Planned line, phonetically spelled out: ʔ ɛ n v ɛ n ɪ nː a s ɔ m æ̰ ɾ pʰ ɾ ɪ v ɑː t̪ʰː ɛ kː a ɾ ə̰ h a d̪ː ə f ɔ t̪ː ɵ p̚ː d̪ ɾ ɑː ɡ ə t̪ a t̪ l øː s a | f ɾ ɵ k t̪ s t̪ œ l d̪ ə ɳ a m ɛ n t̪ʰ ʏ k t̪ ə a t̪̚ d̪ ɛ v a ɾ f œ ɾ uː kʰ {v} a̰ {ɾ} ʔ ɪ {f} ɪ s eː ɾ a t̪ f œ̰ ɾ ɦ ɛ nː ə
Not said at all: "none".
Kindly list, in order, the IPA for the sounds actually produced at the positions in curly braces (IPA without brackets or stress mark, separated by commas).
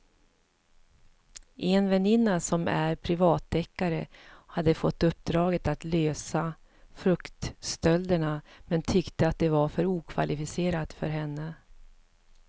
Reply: v, l, f